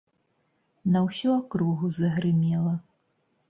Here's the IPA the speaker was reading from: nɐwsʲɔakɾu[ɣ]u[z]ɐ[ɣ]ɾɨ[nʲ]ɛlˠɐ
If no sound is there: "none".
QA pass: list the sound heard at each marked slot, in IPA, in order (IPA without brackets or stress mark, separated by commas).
ɣ, z, ɣ, mʲ